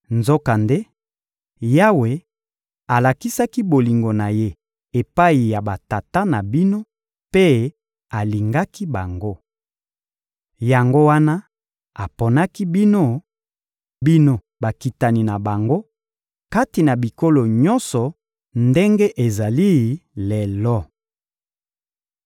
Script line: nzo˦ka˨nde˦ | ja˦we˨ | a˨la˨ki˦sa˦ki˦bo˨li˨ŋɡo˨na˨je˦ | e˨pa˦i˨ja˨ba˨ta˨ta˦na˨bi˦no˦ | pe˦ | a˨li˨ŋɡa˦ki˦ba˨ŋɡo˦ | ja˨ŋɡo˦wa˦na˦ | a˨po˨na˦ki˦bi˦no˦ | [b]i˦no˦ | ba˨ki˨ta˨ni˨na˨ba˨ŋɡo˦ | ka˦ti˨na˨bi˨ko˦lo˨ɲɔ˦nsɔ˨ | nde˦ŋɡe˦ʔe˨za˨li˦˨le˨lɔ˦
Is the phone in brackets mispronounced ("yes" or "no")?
no